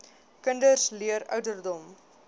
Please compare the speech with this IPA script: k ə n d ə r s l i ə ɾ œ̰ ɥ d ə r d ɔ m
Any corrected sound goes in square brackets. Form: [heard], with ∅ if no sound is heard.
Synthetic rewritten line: k ə n d ə r s l i ə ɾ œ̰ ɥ d ə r d ɔ m